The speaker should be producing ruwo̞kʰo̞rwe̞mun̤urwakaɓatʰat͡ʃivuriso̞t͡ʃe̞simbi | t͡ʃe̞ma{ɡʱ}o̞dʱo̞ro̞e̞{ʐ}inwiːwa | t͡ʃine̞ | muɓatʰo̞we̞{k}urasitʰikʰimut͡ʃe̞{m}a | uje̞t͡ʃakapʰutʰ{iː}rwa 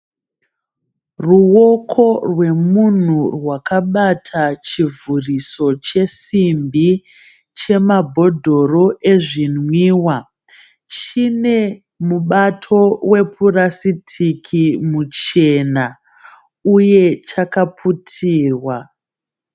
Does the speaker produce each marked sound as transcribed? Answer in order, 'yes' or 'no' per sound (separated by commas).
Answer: no, yes, no, no, yes